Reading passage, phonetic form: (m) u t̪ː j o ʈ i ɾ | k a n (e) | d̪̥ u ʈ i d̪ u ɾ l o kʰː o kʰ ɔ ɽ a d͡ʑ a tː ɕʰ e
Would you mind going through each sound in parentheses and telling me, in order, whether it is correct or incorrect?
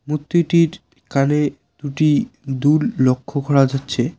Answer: correct, correct

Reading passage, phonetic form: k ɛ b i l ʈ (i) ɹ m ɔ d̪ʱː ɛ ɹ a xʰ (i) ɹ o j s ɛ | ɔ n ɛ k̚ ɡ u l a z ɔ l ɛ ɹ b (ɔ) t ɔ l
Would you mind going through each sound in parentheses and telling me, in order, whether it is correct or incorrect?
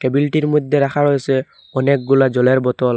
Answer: correct, incorrect: a, correct

